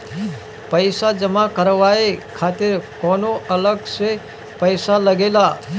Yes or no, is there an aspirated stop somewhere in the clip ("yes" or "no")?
yes